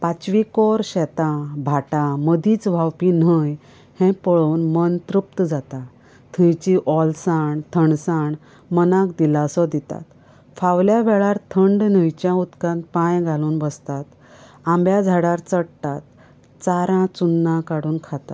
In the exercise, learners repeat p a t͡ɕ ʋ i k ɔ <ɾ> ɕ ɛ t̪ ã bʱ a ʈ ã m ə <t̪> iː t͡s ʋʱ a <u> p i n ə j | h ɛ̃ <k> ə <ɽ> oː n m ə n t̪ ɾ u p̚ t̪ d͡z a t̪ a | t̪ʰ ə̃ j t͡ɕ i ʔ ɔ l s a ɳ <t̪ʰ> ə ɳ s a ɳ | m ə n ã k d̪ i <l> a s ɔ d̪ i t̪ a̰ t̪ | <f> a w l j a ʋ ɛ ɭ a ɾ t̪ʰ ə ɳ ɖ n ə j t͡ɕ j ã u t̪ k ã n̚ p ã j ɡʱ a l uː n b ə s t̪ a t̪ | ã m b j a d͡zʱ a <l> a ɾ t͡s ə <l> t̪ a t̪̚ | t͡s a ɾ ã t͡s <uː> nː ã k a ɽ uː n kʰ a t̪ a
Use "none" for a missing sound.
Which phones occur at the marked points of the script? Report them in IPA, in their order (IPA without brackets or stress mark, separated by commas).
ɾ, d̪, w, p, ɭ, t̪ʰ, l, f, ɽ, ɽ, u